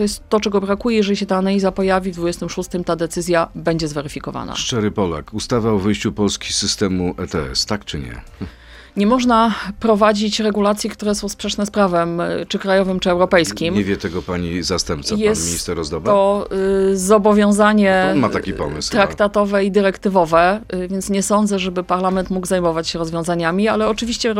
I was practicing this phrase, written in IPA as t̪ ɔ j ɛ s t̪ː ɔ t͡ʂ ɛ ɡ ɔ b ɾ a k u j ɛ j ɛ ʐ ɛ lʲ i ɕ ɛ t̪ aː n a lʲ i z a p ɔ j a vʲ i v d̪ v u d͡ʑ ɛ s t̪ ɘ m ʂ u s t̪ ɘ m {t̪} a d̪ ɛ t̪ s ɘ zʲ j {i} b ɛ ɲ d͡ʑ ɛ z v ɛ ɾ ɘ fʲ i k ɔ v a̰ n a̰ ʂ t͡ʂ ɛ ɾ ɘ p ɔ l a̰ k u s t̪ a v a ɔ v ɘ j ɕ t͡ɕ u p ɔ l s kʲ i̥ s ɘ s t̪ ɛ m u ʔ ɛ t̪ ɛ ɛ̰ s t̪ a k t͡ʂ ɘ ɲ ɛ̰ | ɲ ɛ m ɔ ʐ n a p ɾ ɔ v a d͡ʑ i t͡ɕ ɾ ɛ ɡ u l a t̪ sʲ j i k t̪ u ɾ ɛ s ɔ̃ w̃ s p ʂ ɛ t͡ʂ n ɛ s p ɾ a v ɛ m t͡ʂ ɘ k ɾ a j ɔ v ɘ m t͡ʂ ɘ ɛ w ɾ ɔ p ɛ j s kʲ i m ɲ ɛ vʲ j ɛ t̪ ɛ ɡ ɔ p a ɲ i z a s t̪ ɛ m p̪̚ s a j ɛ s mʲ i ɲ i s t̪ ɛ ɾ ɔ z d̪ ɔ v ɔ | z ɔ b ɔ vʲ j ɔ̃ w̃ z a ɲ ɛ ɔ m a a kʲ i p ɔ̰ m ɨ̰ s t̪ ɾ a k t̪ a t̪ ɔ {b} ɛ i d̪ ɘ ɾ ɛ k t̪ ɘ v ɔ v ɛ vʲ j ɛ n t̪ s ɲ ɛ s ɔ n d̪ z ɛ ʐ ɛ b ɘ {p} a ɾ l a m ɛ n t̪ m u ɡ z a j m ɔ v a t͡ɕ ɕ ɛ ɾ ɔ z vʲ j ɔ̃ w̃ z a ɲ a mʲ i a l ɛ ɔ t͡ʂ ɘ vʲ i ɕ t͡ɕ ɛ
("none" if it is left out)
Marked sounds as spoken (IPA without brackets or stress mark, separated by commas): t̪, a, v, p